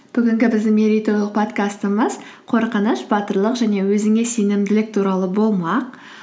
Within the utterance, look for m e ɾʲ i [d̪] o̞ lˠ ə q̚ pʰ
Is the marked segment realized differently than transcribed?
yes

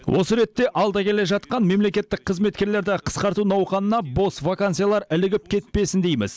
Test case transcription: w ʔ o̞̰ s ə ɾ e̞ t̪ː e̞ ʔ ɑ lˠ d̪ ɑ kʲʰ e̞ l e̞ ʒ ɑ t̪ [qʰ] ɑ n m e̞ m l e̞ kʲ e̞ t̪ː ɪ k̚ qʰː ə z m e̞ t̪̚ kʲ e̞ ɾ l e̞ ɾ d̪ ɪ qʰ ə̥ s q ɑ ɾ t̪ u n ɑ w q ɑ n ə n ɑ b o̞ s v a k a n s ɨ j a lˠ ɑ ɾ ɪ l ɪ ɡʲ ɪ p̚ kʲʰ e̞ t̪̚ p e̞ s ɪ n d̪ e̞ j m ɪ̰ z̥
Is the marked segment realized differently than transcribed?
yes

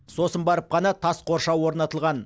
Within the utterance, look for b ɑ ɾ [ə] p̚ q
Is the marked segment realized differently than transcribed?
no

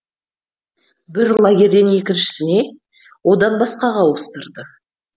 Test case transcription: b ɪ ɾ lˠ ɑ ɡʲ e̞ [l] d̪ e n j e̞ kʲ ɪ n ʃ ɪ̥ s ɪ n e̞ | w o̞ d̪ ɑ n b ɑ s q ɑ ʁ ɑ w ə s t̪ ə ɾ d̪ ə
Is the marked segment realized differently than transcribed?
yes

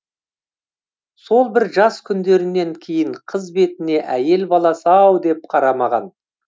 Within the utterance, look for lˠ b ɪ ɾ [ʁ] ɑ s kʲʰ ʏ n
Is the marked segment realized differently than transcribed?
yes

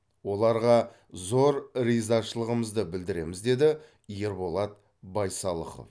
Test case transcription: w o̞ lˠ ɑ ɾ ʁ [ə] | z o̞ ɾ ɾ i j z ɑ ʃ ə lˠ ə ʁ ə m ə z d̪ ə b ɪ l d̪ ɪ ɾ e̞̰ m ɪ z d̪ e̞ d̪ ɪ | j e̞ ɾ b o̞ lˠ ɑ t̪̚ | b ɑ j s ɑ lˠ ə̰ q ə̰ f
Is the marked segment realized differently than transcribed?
yes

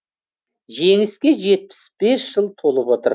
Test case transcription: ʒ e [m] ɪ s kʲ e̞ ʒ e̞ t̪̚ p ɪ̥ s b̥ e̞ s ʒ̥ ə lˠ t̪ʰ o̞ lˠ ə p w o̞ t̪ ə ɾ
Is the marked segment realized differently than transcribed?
yes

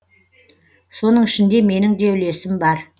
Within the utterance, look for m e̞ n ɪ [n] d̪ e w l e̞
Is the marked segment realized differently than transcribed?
yes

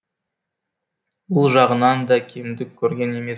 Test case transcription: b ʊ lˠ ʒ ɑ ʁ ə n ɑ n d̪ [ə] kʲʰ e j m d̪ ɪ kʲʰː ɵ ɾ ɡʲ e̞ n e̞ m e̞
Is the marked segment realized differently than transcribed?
yes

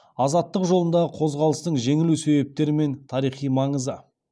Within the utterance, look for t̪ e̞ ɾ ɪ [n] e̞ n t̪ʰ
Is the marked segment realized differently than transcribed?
yes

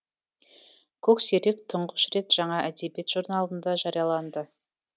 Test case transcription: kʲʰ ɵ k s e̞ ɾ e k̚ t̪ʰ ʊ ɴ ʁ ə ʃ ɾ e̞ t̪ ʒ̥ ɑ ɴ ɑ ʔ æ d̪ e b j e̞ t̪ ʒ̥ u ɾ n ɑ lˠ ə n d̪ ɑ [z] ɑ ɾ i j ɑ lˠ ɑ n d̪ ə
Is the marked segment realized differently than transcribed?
yes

